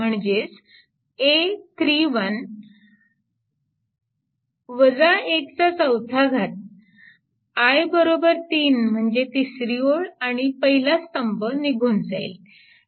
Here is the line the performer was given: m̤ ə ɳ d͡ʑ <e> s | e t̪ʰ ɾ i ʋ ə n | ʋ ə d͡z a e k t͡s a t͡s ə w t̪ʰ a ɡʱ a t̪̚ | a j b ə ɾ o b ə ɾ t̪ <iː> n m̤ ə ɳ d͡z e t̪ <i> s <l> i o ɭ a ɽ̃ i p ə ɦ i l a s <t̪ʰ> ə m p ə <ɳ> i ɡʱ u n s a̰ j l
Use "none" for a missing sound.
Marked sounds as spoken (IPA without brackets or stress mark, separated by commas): e, iː, i, ɾ, t̪, n